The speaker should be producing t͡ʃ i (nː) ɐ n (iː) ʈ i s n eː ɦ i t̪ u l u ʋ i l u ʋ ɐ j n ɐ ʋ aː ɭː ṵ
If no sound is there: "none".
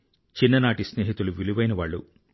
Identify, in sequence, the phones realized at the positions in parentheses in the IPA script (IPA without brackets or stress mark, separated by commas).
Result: nː, aː